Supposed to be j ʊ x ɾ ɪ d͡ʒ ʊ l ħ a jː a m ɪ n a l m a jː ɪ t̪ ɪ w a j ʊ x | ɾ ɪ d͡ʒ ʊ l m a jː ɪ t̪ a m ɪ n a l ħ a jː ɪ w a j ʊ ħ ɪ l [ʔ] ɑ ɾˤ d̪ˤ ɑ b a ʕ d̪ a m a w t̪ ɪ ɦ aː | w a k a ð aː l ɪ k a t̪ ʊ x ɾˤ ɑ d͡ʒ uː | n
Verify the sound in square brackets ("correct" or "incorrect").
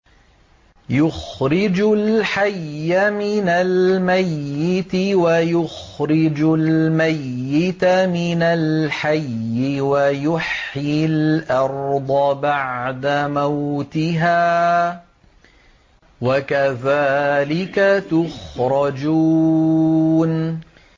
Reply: correct